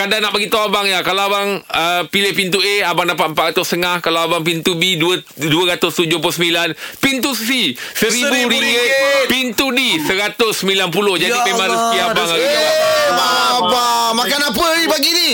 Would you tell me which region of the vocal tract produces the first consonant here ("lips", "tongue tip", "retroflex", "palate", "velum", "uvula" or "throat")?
velum